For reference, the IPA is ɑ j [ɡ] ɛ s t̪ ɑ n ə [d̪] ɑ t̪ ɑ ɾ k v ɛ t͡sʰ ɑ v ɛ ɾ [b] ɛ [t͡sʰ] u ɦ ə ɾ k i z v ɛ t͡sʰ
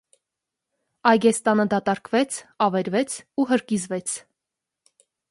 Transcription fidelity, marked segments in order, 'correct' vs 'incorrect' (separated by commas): correct, correct, incorrect, correct